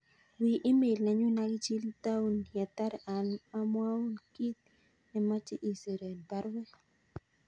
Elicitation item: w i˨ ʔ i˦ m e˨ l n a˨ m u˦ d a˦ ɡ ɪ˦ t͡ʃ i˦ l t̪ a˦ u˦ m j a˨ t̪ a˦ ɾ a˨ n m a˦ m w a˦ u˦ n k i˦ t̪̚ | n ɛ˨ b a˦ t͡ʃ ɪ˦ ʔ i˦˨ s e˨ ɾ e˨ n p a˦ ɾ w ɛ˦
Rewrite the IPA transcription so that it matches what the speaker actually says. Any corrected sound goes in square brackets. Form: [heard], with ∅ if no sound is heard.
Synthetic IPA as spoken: w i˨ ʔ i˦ m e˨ l n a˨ [ɲ] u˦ [n] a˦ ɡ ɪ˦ t͡ʃ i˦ l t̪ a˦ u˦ [n] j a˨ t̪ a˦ ɾ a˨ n m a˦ m w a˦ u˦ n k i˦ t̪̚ | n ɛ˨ [m] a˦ t͡ʃ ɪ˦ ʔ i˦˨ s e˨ ɾ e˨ n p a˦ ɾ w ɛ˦